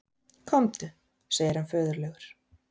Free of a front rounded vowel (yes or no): no